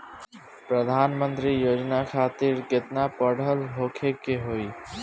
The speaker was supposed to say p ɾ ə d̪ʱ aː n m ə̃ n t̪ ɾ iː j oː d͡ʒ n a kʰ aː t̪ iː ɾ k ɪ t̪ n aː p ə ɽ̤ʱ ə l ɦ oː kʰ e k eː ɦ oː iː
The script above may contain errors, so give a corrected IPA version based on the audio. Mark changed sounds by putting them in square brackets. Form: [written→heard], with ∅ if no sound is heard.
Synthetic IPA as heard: p ɾ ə d̪ʱ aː n m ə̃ n t̪ ɾ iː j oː d͡ʒ n a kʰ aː t̪ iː ɾ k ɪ t̪ n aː p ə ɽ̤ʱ ə l ɦ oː kʰ e k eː ɦ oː iː